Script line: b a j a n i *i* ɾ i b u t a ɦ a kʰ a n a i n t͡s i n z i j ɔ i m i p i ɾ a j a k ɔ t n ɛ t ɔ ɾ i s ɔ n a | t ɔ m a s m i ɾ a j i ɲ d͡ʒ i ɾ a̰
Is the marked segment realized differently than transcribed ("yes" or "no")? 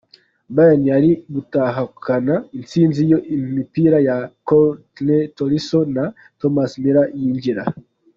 yes